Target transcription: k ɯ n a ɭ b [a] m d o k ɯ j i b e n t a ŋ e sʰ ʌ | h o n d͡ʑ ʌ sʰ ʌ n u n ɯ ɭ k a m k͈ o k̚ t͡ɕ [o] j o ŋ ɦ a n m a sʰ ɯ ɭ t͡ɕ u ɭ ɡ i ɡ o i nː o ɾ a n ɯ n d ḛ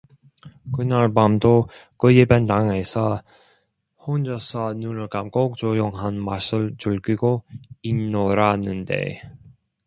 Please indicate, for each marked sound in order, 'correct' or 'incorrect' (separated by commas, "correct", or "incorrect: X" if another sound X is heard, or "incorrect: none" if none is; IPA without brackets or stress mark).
correct, correct